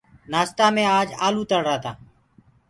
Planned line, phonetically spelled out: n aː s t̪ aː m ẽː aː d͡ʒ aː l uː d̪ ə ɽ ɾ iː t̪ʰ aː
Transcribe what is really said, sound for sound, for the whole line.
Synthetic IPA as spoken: n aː s t̪ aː m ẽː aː d͡ʒ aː l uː t̪ ə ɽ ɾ aː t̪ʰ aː